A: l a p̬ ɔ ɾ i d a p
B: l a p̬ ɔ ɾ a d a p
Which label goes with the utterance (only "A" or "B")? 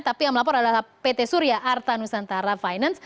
B